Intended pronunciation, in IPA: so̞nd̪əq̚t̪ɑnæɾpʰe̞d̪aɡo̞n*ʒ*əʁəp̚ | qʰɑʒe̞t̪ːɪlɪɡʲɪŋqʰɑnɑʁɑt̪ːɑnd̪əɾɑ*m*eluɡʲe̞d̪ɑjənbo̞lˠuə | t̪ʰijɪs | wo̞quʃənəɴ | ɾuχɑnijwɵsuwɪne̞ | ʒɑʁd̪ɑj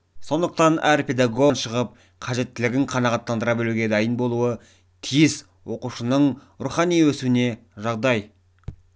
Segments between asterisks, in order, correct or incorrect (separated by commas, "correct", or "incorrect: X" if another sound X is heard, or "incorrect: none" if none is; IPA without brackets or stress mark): incorrect: ʃ, incorrect: b